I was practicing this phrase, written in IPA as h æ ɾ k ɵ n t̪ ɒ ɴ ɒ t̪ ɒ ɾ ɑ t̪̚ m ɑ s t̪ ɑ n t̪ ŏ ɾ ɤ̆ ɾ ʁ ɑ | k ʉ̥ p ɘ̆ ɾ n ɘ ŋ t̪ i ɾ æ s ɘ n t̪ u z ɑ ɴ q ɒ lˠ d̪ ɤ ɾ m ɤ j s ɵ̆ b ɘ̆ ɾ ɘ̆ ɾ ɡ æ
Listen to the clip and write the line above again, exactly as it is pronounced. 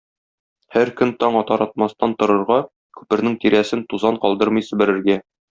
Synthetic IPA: h æ ɾ k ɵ n t̪ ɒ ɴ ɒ t̪ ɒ ɾ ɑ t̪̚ m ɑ s t̪ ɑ n t̪ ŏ ɾ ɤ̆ ɾ ʁ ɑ | k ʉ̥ p ɘ̆ ɾ n ɘ ŋ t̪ i ɾ æ s ɘ n t̪ u z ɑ ɴ q ɒ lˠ d̪ ɤ ɾ m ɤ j s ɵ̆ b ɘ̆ ɾ ɘ̆ ɾ ɡ æ